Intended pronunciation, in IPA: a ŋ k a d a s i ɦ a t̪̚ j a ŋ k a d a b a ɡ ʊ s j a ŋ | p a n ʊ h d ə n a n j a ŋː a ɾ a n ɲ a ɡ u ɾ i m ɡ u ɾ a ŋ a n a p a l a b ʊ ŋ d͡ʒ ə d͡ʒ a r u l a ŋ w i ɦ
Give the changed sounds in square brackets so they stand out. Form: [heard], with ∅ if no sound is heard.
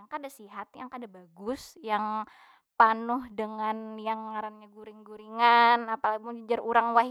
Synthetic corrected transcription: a ŋ k a d a s i ɦ a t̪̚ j a ŋ k a d a b a ɡ ʊ s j a ŋ | p a n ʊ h d ə [ŋ] a n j a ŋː a ɾ a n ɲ a ɡ u ɾ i [ŋ] ɡ u ɾ [i] ŋ a n a p a l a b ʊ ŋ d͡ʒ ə d͡ʒ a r u [ɾ] a ŋ w [a] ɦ